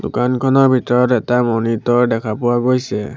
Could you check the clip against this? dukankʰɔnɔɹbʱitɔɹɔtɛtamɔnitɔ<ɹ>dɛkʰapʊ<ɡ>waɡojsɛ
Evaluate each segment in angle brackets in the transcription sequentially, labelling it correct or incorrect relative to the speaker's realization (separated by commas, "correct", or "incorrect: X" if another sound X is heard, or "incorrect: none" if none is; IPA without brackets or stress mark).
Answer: correct, incorrect: none